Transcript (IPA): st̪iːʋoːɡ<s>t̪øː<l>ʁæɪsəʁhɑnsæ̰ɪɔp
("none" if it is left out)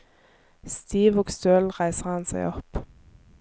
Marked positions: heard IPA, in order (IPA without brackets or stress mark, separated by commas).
s, l